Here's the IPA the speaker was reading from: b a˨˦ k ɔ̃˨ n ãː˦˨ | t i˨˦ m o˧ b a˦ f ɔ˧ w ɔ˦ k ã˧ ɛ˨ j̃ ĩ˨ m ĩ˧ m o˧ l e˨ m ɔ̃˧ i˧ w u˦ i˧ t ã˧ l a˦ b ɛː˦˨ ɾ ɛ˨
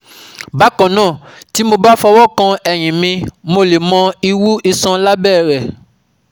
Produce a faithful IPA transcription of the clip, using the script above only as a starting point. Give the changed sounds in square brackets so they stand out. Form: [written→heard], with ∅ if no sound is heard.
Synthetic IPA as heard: b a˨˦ k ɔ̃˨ n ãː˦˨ | t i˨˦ m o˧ b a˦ f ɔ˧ w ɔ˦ k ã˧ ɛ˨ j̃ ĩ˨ m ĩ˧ m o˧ l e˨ m ɔ̃˧ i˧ w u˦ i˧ [t→s] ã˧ l a˦ b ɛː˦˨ ɾ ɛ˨